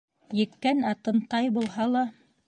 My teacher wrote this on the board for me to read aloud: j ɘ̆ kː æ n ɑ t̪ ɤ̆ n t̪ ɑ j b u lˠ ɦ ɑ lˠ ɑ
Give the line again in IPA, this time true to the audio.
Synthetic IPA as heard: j ɘ̆ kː æ n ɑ t̪ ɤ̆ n t̪ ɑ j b u lˠ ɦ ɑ lˠ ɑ